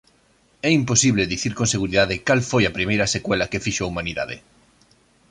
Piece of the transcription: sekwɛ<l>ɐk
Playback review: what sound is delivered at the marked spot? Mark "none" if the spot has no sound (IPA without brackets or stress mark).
l